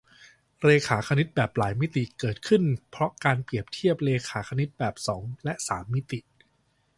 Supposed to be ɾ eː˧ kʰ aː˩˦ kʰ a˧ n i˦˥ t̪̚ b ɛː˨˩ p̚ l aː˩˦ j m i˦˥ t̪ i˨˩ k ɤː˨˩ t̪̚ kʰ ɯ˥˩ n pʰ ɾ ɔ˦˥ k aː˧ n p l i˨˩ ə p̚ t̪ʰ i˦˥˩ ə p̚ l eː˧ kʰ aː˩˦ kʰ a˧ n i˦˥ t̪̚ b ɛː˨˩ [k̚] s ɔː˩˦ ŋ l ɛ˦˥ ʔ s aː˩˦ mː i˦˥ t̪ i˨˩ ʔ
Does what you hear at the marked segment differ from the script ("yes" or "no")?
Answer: yes